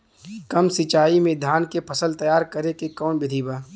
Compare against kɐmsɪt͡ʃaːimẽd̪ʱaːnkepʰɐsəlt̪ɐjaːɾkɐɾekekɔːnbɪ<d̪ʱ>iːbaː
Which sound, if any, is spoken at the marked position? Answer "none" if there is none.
d̪ʱ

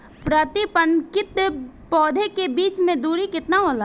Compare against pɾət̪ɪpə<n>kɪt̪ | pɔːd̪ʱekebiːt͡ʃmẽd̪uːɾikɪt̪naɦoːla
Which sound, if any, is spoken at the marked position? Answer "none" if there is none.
n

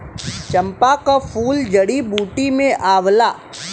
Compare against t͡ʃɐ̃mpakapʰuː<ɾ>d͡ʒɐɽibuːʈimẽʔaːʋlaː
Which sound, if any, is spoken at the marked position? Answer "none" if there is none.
l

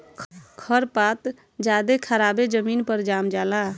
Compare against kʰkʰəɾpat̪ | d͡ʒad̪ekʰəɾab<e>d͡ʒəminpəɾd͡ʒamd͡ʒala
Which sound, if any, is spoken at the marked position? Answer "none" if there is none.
e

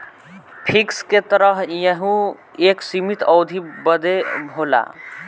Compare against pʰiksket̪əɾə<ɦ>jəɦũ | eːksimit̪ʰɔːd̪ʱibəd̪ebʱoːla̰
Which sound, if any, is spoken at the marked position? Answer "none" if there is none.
ɦ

